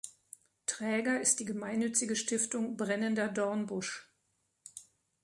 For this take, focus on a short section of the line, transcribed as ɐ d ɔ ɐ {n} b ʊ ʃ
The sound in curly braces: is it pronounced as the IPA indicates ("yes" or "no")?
yes